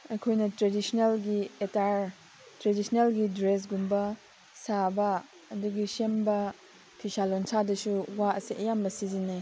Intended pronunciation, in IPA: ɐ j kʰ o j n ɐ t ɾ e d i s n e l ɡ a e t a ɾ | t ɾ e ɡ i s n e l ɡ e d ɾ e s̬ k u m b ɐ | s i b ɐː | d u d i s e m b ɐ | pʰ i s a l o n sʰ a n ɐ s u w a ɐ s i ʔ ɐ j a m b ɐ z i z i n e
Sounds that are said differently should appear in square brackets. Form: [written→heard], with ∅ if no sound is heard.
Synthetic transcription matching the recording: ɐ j kʰ o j n ɐ t ɾ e d i s n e l ɡ [a→i] e t a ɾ | t ɾ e [ɡ→d] i s n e l ɡ [e→i] d ɾ e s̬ [k→ɡ] u m b ɐ | s [i→a] b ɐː | d u [d→ɡ] i s e m b ɐ | pʰ i s a l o n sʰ a [n→d] ɐ s u w a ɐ s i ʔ ɐ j a m b ɐ [z→s] i z i n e